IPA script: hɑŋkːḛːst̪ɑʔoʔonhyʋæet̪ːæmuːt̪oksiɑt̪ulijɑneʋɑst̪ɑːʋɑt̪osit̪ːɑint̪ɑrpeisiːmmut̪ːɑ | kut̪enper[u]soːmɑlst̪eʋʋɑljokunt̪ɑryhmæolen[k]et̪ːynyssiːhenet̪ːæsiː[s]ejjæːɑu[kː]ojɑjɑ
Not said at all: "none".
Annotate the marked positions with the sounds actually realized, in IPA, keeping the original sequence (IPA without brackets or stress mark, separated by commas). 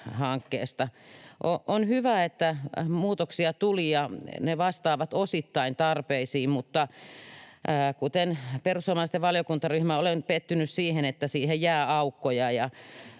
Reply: u, p, h, kː